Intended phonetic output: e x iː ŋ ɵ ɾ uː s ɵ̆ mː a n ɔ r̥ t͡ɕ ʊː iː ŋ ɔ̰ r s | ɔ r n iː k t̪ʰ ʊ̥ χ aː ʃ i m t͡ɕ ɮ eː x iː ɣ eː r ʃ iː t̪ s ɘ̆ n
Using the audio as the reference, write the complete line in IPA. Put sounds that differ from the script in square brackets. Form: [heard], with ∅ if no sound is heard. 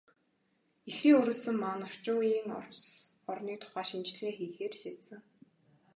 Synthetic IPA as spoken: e x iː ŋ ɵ ɾ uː s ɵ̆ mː a n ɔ r̥ t͡ɕ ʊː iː ŋ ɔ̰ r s | ɔ r n iː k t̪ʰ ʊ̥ χ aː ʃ i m t͡ɕ ɮ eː x iː [x] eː r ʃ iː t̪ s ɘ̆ [ŋ]